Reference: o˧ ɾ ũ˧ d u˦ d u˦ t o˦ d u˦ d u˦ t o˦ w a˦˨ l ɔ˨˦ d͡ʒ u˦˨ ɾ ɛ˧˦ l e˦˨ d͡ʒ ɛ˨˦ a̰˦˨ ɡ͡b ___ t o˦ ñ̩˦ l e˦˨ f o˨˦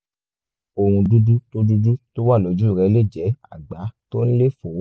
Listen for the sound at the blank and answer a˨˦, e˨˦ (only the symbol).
a˨˦